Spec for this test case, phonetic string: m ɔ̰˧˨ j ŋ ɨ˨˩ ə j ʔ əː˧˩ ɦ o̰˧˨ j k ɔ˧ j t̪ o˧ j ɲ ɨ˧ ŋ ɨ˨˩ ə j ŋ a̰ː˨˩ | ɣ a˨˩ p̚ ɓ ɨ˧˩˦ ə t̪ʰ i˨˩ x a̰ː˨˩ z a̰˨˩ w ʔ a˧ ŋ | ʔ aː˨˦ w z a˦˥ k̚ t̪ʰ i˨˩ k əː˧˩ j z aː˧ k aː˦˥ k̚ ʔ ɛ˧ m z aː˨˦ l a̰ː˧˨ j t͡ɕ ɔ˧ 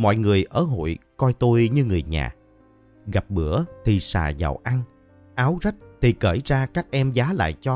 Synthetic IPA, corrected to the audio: m ɔ̰˧˨ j ŋ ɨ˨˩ ə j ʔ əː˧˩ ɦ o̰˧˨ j k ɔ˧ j t̪ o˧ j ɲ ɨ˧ ŋ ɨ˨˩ ə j ɲ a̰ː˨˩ | ɣ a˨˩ p̚ ɓ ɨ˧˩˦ ə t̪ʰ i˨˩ s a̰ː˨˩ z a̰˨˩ w ʔ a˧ ŋ | ʔ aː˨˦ w z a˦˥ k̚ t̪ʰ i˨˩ k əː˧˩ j z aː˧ k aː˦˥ k̚ ʔ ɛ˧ m z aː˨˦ l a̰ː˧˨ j t͡ɕ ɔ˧